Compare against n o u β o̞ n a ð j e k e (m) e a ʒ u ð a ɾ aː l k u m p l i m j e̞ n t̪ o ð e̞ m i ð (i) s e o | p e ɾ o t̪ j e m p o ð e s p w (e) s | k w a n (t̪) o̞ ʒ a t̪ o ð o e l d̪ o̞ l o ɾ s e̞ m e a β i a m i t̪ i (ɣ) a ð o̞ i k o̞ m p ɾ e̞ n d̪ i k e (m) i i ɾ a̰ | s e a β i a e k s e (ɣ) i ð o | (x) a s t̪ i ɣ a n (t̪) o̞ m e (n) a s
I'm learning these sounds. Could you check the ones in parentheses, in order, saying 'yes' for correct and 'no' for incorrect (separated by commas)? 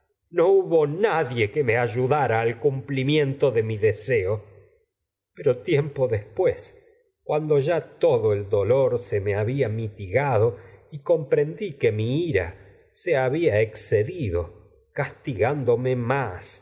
yes, no, yes, no, yes, yes, no, no, no, no